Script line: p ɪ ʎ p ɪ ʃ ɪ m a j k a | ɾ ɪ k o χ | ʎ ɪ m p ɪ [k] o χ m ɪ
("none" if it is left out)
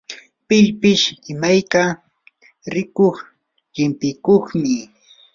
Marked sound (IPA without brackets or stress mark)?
k